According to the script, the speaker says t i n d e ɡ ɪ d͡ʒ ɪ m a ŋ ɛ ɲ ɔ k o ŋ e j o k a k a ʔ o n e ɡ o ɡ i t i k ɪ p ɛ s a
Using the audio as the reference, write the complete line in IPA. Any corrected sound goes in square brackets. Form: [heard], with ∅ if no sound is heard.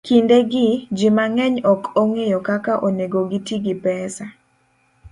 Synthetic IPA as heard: [k] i n d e ɡ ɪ d͡ʒ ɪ m a ŋ ɛ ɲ ɔ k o ŋ e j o k a k a ʔ o n e ɡ o ɡ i t i [ɡ] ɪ p ɛ s a